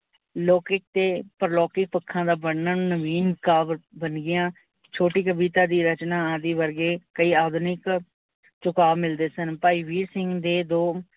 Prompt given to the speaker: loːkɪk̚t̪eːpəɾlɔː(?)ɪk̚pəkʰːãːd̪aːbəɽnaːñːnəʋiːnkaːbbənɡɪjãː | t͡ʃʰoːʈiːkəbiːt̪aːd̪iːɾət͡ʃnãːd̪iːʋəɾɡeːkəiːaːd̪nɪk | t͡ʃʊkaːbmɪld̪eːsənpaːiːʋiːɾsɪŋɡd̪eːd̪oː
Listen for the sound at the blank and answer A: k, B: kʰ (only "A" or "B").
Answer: A